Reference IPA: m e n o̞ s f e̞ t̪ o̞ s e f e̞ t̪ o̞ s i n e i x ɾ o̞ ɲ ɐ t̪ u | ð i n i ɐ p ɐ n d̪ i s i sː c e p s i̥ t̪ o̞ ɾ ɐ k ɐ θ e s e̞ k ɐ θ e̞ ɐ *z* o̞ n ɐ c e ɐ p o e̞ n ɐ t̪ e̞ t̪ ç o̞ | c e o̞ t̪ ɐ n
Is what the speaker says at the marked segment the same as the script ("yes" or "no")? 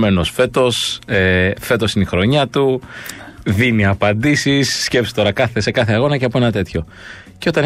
no